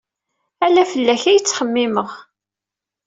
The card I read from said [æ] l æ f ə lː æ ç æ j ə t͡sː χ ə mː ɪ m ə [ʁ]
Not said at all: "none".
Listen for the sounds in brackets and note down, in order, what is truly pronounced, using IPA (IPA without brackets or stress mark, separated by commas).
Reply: æ, ʁ